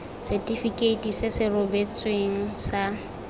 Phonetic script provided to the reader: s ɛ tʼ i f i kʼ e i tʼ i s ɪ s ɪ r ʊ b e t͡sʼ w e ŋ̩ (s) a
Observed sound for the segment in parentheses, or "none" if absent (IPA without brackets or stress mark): s